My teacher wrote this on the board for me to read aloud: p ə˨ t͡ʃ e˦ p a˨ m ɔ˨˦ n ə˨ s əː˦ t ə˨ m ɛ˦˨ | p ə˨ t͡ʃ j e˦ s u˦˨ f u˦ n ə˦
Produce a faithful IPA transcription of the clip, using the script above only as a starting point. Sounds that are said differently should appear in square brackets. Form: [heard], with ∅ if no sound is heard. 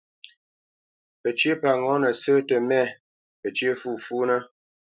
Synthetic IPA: p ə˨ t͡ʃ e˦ p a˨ [ŋ] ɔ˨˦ n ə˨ s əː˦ t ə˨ m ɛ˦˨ | p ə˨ t͡ʃ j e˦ [f] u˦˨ f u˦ n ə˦